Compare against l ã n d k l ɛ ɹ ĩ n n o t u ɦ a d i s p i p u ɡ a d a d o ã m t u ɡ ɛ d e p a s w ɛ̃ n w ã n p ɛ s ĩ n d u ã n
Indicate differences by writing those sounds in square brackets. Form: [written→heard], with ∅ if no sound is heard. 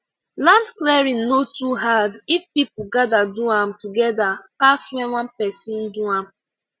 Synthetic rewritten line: l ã n d k l ɛ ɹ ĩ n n o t u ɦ a d i [s→f] p i p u ɡ a d a d [o→u] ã m t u ɡ ɛ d [e→a] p a s w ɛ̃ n w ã n p ɛ s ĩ n d u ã [n→m]